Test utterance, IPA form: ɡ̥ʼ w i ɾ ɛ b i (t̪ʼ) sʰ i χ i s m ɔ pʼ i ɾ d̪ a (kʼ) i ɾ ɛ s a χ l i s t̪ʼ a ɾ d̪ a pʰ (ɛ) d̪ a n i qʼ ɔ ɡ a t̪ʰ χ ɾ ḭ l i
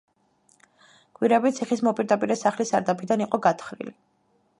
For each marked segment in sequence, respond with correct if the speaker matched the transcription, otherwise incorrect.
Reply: incorrect: t̪, incorrect: pʼ, incorrect: i

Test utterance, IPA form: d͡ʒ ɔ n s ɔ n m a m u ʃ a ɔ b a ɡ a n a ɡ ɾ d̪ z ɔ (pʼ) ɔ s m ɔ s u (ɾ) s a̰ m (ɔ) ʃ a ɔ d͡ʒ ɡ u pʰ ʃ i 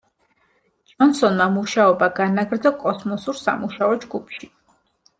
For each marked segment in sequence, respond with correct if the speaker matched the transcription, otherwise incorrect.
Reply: incorrect: kʼ, correct, incorrect: u

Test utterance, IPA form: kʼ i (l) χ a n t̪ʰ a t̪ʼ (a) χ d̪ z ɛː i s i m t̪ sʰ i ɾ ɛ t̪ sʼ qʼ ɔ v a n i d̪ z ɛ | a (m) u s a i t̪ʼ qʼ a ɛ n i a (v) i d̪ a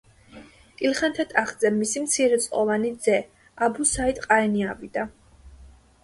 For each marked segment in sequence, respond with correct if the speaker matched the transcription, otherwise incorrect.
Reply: correct, correct, incorrect: b, correct

